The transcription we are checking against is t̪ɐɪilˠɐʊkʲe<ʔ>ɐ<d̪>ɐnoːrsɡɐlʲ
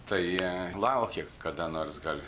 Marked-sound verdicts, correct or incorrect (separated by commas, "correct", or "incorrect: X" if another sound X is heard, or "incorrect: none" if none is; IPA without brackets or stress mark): incorrect: k, correct